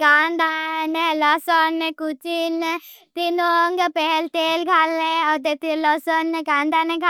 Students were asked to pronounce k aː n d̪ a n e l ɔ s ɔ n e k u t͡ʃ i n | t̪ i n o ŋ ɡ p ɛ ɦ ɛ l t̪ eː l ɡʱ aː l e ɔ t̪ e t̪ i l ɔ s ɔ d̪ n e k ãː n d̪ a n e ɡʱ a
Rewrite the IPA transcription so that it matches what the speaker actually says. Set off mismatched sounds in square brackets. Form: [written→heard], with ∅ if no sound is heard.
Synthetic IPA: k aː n d̪ a n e l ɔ s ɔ n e k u t͡ʃ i n | t̪ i n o ŋ ɡ p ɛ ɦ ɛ l t̪ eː l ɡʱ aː l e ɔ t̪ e t̪ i l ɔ s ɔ [d̪→∅] n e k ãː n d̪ a n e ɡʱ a